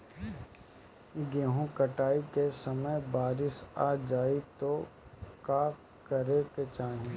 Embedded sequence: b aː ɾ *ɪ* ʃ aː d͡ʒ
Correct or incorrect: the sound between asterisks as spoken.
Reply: correct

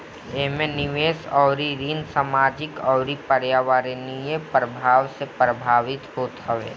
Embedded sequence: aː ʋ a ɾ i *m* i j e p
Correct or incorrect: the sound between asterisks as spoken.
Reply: incorrect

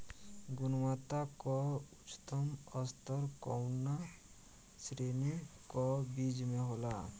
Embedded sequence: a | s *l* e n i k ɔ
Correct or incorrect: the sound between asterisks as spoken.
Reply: incorrect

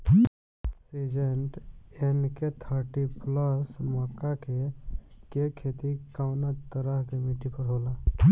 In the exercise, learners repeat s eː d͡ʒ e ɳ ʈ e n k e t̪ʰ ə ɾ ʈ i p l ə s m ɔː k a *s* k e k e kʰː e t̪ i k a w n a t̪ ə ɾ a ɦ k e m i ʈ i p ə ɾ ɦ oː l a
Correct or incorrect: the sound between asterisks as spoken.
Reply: incorrect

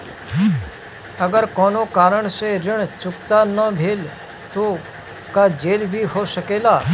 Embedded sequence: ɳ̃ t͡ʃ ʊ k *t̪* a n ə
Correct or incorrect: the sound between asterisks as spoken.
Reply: correct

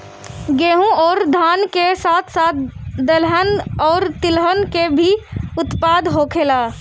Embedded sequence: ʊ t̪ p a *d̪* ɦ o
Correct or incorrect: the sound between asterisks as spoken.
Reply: correct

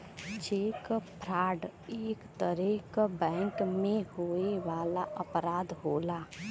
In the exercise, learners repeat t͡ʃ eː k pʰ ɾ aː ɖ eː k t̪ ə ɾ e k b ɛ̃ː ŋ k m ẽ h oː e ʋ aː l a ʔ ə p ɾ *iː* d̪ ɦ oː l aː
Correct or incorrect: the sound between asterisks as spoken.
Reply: incorrect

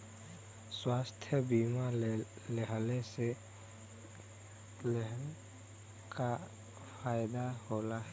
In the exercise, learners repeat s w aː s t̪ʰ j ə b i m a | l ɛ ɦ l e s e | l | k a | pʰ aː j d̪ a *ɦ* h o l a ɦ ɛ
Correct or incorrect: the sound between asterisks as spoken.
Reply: incorrect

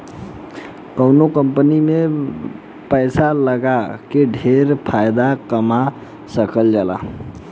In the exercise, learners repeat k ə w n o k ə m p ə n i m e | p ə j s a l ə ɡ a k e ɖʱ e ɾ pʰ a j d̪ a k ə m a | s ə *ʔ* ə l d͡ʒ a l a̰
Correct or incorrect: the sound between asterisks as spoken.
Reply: incorrect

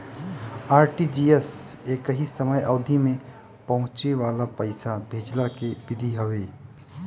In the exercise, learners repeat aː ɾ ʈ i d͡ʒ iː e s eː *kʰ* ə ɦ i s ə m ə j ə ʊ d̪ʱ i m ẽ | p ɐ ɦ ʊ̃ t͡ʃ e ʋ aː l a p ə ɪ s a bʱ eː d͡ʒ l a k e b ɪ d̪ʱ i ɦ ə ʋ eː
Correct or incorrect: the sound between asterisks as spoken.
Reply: incorrect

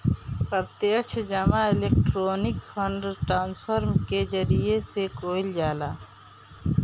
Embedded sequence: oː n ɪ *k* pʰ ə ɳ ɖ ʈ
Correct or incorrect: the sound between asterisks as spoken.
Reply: correct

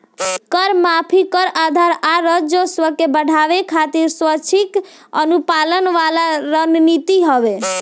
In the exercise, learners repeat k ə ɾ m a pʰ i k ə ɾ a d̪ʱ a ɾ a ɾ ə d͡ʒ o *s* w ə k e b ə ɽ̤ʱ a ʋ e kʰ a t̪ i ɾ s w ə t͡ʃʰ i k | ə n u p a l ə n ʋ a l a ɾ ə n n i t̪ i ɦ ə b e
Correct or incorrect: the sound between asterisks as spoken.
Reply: correct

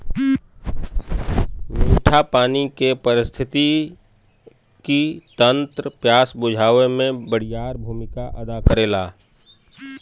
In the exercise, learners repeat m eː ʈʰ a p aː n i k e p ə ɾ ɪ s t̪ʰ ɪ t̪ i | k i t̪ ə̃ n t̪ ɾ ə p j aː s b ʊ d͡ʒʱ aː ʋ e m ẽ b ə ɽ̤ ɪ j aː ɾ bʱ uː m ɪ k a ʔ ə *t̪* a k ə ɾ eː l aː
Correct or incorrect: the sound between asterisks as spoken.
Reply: incorrect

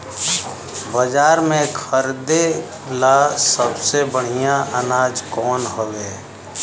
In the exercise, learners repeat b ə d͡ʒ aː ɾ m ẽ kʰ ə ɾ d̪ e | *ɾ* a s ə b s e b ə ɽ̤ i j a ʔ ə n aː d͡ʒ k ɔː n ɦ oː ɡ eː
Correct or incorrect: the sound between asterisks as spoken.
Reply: incorrect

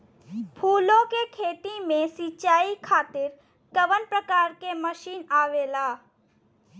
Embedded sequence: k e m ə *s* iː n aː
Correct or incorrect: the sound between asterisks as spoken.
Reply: incorrect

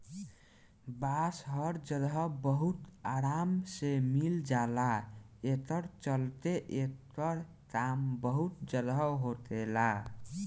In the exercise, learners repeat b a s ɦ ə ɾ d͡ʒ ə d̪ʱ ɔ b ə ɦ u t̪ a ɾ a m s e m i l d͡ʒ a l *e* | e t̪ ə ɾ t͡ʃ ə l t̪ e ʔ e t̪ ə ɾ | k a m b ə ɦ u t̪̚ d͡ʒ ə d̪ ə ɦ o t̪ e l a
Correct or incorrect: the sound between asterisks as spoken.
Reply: incorrect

